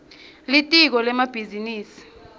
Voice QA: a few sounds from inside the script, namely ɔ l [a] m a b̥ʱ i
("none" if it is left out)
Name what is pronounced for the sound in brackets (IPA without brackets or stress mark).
ɛ